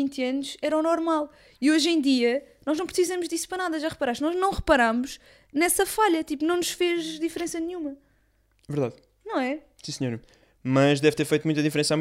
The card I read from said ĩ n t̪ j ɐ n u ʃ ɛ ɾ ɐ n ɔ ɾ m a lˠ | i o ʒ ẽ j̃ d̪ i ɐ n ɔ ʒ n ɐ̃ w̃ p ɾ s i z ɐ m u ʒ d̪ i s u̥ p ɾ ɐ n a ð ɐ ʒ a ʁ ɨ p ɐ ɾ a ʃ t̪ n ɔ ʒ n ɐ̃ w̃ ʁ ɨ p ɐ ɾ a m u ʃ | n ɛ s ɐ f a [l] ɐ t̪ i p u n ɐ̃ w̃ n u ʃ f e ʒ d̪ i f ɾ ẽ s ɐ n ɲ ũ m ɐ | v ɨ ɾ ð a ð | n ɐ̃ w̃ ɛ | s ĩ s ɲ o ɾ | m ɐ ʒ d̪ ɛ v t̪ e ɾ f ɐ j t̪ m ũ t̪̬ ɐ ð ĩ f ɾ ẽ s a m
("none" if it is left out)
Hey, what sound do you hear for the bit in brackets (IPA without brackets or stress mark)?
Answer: ʎ